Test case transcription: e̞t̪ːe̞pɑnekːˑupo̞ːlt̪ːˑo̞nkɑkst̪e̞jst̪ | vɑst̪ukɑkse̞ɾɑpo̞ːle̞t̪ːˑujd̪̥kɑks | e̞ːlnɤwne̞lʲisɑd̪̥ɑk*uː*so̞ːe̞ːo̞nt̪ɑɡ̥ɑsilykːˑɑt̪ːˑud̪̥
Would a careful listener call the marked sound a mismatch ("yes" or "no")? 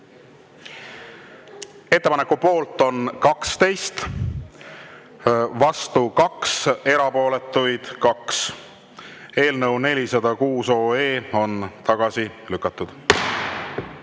no